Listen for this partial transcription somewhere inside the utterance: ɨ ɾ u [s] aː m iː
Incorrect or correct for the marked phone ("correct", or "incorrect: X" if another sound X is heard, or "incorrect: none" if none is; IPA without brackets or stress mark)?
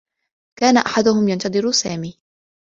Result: correct